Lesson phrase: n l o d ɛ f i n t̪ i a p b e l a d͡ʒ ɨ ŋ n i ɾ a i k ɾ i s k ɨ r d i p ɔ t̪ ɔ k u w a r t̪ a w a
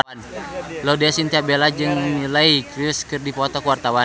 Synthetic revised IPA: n l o d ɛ s i n t̪ i a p b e l a d͡ʒ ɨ ŋ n i l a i k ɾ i s k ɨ r d i p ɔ t̪ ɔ k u w a r t̪ a w a